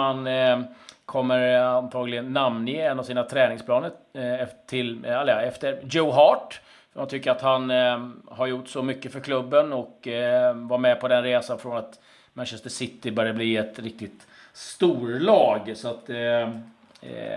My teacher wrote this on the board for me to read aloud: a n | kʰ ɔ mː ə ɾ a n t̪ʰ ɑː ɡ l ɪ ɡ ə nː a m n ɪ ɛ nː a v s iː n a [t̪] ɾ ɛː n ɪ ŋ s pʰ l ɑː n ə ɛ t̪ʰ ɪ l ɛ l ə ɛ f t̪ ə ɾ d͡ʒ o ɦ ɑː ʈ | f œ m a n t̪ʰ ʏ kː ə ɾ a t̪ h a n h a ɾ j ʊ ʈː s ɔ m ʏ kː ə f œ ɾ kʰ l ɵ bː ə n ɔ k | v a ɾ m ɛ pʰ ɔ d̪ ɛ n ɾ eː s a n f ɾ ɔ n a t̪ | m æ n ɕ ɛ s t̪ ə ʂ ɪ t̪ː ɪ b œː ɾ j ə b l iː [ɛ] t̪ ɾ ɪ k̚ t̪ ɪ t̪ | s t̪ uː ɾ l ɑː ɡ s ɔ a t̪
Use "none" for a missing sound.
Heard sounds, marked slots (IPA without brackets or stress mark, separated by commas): t̪ʰ, ɛ